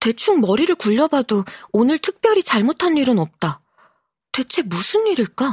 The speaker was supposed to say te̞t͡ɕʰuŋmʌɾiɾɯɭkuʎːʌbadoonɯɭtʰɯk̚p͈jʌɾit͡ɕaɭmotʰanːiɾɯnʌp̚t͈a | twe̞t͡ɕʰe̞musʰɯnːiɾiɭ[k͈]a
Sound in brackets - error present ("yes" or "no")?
no